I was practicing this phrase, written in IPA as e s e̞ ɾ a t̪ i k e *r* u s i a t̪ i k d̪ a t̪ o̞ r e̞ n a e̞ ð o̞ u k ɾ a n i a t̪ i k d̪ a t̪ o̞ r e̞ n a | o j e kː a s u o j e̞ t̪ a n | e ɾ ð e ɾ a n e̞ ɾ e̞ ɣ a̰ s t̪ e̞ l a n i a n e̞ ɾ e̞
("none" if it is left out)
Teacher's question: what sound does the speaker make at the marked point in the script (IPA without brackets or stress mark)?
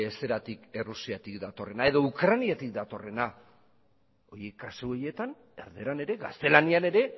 r